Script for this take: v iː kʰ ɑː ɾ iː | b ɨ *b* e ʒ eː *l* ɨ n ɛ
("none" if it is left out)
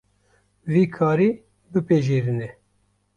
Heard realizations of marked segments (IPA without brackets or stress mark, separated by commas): p, ɾ